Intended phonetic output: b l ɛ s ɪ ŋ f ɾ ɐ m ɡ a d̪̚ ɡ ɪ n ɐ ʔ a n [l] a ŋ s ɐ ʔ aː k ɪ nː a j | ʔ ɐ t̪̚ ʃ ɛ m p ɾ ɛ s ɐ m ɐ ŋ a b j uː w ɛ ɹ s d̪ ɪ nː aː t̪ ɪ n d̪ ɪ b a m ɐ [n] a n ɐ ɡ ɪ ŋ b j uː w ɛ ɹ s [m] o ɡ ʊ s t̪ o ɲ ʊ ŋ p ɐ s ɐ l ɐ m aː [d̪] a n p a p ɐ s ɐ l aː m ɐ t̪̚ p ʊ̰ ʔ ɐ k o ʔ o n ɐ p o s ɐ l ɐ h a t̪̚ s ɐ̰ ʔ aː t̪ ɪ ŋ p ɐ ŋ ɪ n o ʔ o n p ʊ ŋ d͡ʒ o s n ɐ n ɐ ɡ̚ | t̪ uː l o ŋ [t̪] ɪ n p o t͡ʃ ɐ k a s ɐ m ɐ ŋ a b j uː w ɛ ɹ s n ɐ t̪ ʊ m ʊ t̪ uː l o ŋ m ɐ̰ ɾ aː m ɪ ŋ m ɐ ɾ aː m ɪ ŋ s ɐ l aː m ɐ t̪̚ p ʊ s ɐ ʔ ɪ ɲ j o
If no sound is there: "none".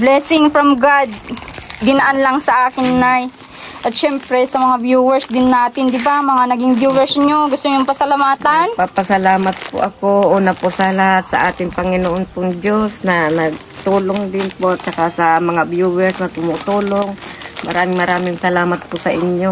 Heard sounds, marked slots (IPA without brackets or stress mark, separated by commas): l, ŋ, ɲ, t̪, d̪